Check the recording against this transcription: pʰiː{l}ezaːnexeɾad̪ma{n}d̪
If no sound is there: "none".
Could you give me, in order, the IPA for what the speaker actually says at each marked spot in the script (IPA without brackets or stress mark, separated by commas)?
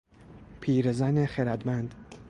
ɾ, n